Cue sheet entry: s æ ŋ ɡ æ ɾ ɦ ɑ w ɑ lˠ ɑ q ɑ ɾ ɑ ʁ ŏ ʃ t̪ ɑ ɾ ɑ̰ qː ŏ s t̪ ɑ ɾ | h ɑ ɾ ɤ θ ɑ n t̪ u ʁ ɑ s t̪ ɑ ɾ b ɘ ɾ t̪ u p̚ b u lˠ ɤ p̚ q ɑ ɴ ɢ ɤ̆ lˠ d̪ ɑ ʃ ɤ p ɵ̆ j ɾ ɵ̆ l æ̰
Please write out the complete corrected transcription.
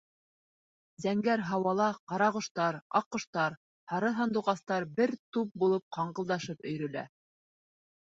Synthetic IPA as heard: z æ ŋ ɡ æ ɾ ɦ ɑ w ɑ lˠ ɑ q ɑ ɾ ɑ ʁ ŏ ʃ t̪ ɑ ɾ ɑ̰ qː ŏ ʃ t̪ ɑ ɾ | h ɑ ɾ ɤ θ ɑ n d̪ u ʁ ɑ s t̪ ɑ ɾ b ɘ ɾ t̪ u p̚ b u lˠ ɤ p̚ q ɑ ɴ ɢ ɤ̆ lˠ d̪ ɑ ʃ ɤ p ɵ̆ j ɾ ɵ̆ l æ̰